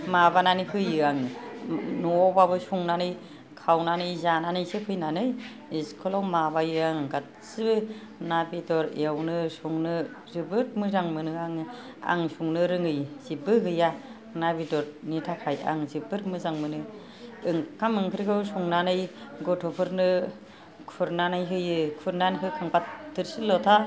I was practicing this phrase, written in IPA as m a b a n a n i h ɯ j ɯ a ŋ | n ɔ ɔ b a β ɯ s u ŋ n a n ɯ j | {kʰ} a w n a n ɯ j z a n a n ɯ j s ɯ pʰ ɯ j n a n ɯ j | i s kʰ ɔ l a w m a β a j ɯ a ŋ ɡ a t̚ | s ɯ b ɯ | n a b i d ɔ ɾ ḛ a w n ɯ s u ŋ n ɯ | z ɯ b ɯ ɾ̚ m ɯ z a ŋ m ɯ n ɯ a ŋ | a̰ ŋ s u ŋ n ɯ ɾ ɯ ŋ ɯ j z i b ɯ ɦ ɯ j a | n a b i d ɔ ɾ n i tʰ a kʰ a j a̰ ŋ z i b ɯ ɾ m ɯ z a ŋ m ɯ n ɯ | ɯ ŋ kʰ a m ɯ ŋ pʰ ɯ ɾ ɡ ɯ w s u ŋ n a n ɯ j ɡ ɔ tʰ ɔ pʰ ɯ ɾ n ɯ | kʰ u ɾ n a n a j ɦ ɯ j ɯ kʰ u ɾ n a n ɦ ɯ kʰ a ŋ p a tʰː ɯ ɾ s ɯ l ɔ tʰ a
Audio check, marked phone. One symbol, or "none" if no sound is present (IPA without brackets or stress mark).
kʰ